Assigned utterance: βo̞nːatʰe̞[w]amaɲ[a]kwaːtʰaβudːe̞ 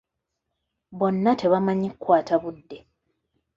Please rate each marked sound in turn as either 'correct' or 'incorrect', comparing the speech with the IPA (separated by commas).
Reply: incorrect, incorrect